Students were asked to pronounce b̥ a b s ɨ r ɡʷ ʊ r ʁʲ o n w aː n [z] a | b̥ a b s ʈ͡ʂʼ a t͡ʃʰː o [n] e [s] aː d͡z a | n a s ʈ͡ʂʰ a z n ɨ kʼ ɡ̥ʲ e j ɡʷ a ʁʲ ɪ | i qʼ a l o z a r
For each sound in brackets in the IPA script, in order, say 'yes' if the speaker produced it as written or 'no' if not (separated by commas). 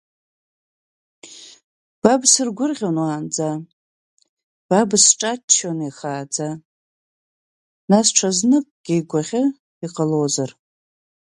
no, yes, no